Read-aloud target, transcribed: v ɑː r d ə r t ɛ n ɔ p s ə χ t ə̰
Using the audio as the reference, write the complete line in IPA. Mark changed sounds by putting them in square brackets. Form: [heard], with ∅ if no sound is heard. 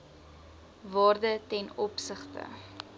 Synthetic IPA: v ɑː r d ə [∅] t ɛ n ɔ p s ə χ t ə̰